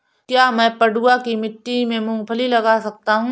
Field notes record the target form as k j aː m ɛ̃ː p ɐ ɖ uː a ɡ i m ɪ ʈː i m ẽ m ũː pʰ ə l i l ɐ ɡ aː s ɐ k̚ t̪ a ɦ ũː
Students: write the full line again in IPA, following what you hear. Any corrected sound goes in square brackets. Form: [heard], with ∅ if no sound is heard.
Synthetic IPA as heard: k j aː m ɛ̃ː p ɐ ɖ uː a [k] i m ɪ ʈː i m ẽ m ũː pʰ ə l i l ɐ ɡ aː s ɐ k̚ t̪ a ɦ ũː